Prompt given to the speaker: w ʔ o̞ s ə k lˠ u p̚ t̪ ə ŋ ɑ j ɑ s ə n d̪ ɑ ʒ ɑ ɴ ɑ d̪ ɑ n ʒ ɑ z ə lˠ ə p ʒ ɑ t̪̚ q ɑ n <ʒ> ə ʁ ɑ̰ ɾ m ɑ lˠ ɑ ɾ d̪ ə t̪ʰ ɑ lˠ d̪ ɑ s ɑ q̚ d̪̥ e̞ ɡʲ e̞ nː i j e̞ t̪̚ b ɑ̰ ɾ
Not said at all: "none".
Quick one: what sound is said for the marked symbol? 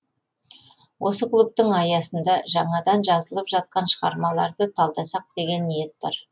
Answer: ʃ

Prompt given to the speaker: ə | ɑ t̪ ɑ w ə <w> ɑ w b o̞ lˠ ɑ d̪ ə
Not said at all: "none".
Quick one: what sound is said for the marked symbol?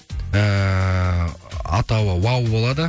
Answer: w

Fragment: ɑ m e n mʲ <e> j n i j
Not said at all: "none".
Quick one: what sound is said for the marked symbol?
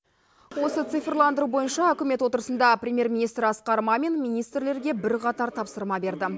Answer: i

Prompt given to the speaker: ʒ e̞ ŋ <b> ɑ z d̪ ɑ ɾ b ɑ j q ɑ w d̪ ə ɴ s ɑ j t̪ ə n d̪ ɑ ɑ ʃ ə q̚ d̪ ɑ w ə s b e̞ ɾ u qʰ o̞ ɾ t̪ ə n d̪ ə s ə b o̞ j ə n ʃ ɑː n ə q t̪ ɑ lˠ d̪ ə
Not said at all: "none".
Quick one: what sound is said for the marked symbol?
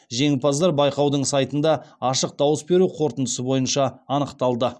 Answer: p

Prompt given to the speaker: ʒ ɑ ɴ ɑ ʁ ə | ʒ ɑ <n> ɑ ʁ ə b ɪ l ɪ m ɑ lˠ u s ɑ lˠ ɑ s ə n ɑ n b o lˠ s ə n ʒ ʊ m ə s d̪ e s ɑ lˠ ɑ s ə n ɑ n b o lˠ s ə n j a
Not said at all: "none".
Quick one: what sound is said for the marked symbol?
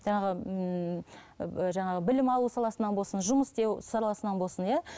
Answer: ɴ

